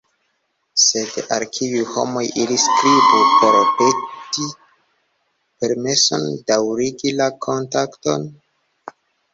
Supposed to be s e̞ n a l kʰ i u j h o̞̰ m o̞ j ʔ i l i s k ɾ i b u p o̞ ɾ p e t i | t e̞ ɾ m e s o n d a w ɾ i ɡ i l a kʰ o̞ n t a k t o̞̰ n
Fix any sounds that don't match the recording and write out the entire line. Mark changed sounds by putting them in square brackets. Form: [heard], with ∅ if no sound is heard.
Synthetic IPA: s e̞ [d] a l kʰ i u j h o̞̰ m o̞ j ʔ i l i s k ɾ i b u p o̞ ɾ p e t i | [p] e̞ ɾ m e s o n d a w ɾ i ɡ i l a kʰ o̞ n t a k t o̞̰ n